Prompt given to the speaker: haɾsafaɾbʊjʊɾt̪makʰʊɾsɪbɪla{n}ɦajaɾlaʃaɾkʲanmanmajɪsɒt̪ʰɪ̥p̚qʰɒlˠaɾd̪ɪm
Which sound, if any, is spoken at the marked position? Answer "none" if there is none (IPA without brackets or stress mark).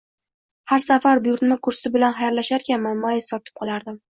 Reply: n